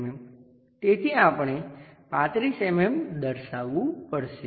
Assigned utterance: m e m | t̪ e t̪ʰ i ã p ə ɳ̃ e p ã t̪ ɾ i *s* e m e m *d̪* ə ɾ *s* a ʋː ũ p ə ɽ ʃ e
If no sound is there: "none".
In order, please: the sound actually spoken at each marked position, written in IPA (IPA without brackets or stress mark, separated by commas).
s, d̪, ʃ